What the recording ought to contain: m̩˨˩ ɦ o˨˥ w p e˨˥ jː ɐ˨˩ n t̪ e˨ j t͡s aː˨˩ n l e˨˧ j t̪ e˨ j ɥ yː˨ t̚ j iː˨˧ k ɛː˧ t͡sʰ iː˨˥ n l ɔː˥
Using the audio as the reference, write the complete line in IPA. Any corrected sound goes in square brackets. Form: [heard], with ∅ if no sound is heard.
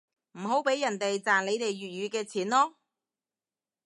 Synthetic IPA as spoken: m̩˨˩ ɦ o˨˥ w p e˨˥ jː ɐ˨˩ n t̪ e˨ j t͡s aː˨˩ n l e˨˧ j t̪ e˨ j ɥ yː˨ t̚ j [yː˨˧] k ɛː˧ t͡sʰ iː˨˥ n l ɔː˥